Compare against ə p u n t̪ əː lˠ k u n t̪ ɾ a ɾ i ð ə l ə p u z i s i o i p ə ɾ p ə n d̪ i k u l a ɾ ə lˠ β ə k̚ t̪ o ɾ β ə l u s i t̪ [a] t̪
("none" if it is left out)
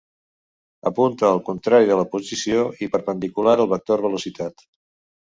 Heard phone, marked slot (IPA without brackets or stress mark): a